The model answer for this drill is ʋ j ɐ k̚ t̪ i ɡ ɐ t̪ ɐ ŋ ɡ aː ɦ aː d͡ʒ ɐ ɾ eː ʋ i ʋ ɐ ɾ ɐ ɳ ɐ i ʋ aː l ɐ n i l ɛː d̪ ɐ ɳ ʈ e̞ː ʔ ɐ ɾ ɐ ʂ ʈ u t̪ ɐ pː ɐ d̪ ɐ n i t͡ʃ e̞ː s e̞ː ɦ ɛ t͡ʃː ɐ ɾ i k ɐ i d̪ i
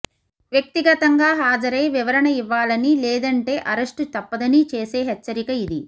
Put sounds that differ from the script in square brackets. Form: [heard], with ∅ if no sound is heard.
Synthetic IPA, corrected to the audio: ʋ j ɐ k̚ t̪ i ɡ ɐ t̪ ɐ ŋ ɡ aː ɦ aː d͡ʒ ɐ ɾ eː ʋ i ʋ ɐ ɾ ɐ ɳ ɐ i [ʋː] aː l ɐ n i l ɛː d̪ ɐ ɳ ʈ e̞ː ʔ ɐ ɾ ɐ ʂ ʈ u t̪ ɐ pː ɐ d̪ ɐ n i t͡ʃ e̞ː s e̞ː ɦ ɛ t͡ʃː ɐ ɾ i k ɐ i d̪ i

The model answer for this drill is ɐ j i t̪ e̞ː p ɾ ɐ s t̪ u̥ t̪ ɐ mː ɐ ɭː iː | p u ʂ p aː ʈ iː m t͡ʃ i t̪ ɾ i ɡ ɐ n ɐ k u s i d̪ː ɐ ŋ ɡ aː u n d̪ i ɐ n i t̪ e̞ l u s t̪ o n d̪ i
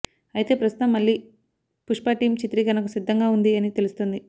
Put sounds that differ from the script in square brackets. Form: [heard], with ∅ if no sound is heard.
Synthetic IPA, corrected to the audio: ɐ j i t̪ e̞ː p ɾ ɐ s t̪ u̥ t̪ ɐ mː ɐ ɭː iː | p u ʂ p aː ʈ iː m t͡ʃ i t̪ ɾ i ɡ ɐ n ɐ k u s i d̪ː ɐ ŋ ɡ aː u n d̪ i ɐ n i t̪ e̞ l u s t̪ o n d̪ i

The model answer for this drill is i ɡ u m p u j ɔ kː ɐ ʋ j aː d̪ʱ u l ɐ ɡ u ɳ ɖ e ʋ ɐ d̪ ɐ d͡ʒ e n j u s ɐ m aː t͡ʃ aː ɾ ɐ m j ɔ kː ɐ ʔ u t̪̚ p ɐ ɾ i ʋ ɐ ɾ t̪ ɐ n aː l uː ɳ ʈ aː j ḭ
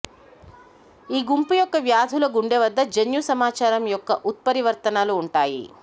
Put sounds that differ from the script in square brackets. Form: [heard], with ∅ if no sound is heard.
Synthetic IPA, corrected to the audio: [iː] ɡ u m p u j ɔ kː ɐ ʋ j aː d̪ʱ u l ɐ ɡ u ɳ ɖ e ʋ ɐ [d̪ː] ɐ d͡ʒ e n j u s ɐ m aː t͡ʃ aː ɾ ɐ m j ɔ kː ɐ ʔ u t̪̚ p ɐ ɾ i ʋ ɐ ɾ t̪ ɐ n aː l uː ɳ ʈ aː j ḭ

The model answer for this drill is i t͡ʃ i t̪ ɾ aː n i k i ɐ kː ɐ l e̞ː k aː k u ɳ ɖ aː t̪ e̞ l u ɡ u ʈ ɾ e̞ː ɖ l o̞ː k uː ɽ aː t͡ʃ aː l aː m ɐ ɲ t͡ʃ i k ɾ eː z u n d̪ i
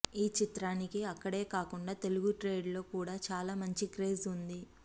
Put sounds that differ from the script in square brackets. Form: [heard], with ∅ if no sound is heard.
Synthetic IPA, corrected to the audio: [iː] t͡ʃ i t̪ ɾ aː n i k i ɐ kː ɐ [ɽ] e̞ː k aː k u ɳ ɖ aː t̪ e̞ l u ɡ u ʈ ɾ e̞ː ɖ l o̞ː k uː ɽ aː t͡ʃ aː l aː m ɐ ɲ t͡ʃ i k ɾ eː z u n d̪ i

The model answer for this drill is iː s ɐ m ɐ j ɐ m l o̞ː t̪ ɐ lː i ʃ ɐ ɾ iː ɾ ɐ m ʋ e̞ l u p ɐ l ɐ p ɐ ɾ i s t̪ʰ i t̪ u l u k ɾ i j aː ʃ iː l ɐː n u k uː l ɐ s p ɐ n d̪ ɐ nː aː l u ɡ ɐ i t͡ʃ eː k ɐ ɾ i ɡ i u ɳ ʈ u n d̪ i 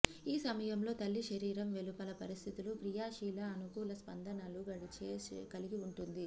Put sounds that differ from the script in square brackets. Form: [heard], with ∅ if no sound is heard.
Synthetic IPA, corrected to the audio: iː s ɐ m ɐ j ɐ m l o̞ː t̪ ɐ lː i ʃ ɐ ɾ iː ɾ ɐ m ʋ e̞ l u p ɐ l ɐ p ɐ ɾ i s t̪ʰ i t̪ u l u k ɾ i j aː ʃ iː l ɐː n u k uː l ɐ s p ɐ n d̪ ɐ [n] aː l u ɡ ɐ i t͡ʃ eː k ɐ [l] i ɡ i u ɳ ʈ u n d̪ i

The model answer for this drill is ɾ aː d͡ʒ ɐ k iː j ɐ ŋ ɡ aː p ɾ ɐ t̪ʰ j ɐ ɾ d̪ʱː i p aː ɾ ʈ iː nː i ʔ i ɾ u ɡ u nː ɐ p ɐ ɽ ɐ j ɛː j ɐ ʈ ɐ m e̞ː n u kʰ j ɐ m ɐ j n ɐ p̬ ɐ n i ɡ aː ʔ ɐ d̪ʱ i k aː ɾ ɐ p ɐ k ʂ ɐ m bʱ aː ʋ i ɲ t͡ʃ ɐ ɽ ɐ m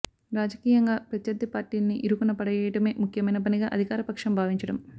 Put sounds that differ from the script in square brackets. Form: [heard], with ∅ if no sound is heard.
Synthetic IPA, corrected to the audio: ɾ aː d͡ʒ ɐ k iː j ɐ ŋ ɡ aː p ɾ ɐ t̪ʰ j ɐ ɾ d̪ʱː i p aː ɾ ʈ iː nː i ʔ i ɾ u [k] u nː ɐ p ɐ ɽ ɐ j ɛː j ɐ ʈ ɐ m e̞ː [m] u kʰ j ɐ m ɐ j n ɐ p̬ ɐ n i ɡ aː ʔ ɐ d̪ʱ i k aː ɾ ɐ p ɐ k ʂ ɐ m bʱ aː ʋ i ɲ t͡ʃ ɐ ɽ ɐ m

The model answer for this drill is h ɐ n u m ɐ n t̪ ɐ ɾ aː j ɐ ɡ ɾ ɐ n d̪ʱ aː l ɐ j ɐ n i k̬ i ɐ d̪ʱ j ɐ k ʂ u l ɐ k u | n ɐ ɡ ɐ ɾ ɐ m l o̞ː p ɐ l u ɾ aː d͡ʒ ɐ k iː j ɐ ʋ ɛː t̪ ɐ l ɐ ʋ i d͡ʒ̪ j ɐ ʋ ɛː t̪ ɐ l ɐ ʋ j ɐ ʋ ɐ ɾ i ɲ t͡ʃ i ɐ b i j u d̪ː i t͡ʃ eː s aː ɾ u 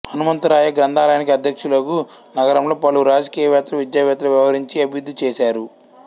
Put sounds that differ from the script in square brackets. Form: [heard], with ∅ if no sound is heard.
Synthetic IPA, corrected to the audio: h ɐ n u m ɐ n t̪ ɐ ɾ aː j ɐ ɡ ɾ ɐ n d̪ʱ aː l ɐ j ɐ n i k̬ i ɐ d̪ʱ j ɐ k ʂ u l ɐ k u | n ɐ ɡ ɐ ɾ ɐ m l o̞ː p ɐ l u ɾ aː d͡ʒ ɐ k iː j ɐ ʋ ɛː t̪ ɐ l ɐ ʋ i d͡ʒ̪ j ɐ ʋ ɛː t̪ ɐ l ɐ ʋ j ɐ ʋ ɐ ɾ i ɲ t͡ʃ i ɐ b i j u d̪ː i t͡ʃ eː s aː ɾ u

